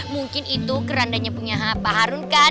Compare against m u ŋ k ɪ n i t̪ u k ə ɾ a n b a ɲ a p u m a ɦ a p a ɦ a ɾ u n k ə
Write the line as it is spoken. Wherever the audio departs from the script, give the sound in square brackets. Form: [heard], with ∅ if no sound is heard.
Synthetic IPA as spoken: m u ŋ k ɪ n i t̪ u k ə ɾ a n [d] a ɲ a p u [ɲ] a ɦ a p a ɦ a ɾ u n k [a]

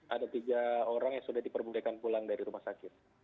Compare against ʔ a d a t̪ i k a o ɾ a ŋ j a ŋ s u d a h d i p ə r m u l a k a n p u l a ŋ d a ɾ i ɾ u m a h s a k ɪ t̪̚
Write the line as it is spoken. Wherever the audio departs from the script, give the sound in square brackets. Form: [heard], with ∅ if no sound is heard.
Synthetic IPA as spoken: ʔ a d a t̪ i [ɡ] a o ɾ a ŋ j a ŋ s u d a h d i p ə r [b] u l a k a n p u l a ŋ d a ɾ i ɾ u m a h s a k ɪ t̪̚

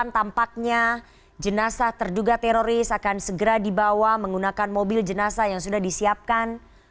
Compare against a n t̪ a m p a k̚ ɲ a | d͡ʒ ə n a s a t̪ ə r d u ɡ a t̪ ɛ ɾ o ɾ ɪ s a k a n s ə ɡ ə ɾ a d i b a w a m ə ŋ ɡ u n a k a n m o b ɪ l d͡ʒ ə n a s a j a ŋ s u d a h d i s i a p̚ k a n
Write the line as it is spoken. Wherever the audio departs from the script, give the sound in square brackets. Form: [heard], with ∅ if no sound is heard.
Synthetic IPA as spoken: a n t̪ a m p a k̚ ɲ a | d͡ʒ ə n a s a t̪ ə r d u ɡ a t̪ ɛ ɾ o ɾ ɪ s a k a n s ə ɡ ə ɾ a d i b a w a m ə ŋ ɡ u n a k a n m o b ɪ l d͡ʒ ə n a s a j a ŋ s u d a h d i s i a p̚ k a n

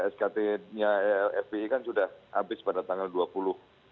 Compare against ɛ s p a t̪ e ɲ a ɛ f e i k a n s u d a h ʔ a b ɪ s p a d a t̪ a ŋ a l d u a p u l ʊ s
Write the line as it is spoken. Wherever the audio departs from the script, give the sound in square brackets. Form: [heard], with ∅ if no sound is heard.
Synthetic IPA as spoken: ɛ s [k] a t̪ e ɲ a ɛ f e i k a n s u d a h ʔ a b ɪ s p a d a t̪ a ŋ a l d u a p u l ʊ [h]

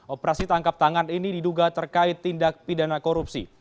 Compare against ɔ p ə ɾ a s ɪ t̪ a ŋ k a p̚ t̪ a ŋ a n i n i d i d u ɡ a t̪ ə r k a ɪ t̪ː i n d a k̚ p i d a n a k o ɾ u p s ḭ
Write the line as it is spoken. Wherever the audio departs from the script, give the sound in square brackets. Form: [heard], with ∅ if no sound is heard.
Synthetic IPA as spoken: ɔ p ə ɾ a s [i] t̪ a ŋ k a p̚ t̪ a ŋ a n i n i d i d u ɡ a t̪ ə r k a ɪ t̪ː i n d a k̚ p i d a n a k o ɾ u p s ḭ

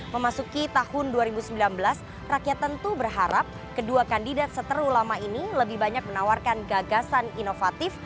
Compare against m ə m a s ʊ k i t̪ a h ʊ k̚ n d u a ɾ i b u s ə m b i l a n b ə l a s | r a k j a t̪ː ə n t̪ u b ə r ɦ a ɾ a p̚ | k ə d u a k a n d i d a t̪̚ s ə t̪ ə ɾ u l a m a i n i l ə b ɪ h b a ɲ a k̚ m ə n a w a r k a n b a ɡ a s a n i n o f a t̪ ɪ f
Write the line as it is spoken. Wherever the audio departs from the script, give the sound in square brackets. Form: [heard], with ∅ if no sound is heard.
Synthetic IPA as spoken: m ə m a s [u] k i t̪ a h ʊ [∅] n d u a ɾ i b u s ə m b i l a n b ə l a s | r a k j a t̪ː ə n t̪ u b ə r ɦ a ɾ a p̚ | k ə d u a k a n d i d a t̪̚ s ə t̪ ə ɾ u l a m a i n i l ə b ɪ h b a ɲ a k̚ m ə n a w a r k a n [ɡ] a ɡ a s a n i n o f a t̪ ɪ f

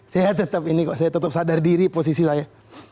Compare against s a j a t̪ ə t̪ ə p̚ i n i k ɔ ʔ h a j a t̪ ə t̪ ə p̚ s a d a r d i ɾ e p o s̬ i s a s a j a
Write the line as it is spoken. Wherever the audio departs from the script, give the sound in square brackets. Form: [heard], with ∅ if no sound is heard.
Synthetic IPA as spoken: s a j a t̪ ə t̪ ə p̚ i n i k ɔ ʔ [s] a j a t̪ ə t̪ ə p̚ s a d a r d i ɾ [i] p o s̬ i s [i] s a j a

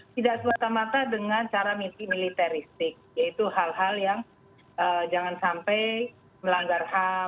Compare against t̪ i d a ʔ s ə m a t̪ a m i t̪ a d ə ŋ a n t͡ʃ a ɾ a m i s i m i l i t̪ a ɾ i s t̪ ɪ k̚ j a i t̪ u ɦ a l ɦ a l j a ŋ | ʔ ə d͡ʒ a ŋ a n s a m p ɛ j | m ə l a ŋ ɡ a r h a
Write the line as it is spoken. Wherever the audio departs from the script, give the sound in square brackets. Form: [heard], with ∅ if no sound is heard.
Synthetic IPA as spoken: t̪ i d a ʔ s ə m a t̪ a m [a] t̪ a d ə ŋ a n t͡ʃ a ɾ a m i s i m i l i t̪ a ɾ i s t̪ ɪ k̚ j a i t̪ u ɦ a l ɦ a l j a ŋ | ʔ ə d͡ʒ a ŋ a n s a m p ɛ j | m ə l a ŋ ɡ a r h a

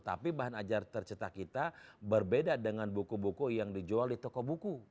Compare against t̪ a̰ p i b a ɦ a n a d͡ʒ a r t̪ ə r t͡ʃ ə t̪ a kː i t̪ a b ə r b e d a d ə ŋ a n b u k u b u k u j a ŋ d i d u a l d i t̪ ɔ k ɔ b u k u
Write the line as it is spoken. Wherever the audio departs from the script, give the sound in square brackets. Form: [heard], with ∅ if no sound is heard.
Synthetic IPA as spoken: t̪ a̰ p i b a ɦ a n a d͡ʒ a r t̪ ə r t͡ʃ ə t̪ a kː i t̪ a b ə r b e d a d ə ŋ a n b u k u b u k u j a ŋ d i [d͡ʒ] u a l d i t̪ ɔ k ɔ b u k u

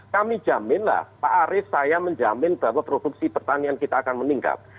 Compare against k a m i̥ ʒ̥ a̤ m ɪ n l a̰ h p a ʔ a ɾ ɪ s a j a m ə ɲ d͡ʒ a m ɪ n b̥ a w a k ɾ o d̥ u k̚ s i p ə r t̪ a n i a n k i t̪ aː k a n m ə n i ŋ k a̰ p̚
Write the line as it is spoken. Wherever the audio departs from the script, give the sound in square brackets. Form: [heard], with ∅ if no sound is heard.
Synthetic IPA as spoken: k a m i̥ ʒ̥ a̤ m ɪ n l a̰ h p a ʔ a ɾ ɪ s a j a m ə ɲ d͡ʒ a m ɪ n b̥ a w a [p] ɾ o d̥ u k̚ s i p ə r t̪ a n i a n k i t̪ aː k a n m ə n i ŋ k a̰ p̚

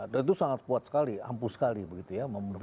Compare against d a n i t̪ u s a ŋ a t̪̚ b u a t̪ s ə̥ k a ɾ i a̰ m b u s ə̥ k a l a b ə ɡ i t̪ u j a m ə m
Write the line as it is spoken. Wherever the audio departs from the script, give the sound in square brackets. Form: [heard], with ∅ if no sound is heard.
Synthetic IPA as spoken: d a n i t̪ u s a ŋ a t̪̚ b u a t̪ s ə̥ k a [l] i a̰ m [p] u s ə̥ k a l [i] b ə ɡ i t̪ u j a m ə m

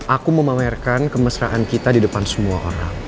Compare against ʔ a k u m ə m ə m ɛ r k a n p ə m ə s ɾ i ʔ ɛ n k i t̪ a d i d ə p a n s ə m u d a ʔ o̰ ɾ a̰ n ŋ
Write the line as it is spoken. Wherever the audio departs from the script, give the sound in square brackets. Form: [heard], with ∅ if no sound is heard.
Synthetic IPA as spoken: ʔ a k u m ə m [a] m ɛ r k a n [k] ə m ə s ɾ [a] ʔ [a] n k i t̪ a d i d ə p a n s ə m u [∅] a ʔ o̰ ɾ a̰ [∅] ŋ

